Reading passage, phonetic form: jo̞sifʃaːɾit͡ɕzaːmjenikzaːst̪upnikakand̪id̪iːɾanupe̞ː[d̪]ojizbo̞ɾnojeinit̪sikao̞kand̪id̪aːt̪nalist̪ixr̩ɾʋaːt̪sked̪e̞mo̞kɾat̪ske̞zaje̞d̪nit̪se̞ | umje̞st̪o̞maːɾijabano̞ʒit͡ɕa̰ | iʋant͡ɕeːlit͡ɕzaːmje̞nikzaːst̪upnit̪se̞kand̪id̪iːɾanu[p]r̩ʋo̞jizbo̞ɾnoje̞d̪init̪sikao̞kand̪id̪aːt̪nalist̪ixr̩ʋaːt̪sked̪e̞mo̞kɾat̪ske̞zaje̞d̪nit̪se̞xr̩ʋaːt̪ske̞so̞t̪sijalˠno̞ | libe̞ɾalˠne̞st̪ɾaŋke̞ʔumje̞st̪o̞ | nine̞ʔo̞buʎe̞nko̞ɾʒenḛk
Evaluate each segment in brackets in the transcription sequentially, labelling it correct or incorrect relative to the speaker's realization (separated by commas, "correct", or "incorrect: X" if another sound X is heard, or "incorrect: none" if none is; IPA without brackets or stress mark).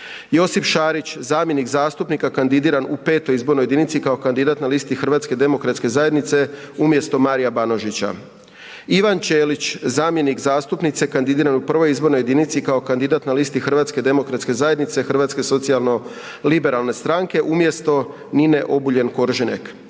incorrect: t̪, correct